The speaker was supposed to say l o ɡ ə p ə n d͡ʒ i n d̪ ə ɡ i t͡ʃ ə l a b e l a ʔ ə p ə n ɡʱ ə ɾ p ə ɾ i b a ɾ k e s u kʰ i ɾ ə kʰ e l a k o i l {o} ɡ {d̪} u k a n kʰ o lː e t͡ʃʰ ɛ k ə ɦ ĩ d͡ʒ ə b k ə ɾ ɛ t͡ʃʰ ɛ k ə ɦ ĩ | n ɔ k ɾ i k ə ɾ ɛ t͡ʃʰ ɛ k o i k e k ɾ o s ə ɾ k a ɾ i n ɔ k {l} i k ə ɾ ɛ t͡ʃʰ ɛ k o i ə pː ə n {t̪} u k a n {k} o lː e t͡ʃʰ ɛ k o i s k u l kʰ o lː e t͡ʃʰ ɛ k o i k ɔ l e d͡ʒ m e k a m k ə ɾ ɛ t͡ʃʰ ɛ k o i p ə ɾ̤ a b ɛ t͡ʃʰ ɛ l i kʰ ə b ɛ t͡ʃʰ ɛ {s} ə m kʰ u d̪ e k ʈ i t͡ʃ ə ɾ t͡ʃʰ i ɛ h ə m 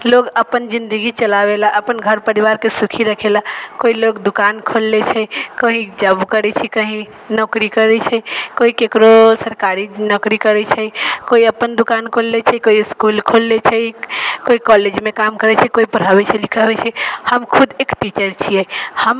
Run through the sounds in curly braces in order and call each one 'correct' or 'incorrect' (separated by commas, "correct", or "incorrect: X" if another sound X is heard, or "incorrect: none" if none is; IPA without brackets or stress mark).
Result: correct, correct, incorrect: ɾ, incorrect: d̪, incorrect: kʰ, incorrect: h